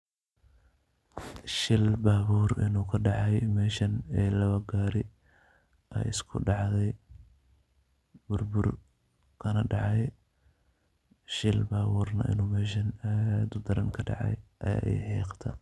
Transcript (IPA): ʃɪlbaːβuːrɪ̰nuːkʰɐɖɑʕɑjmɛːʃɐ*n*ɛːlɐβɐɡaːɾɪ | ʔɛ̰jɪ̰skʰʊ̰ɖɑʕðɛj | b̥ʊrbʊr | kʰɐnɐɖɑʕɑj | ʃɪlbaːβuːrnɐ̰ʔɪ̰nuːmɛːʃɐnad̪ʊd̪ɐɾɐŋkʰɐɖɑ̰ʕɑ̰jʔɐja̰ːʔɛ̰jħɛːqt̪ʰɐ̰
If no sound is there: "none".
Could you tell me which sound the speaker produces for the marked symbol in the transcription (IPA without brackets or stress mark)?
n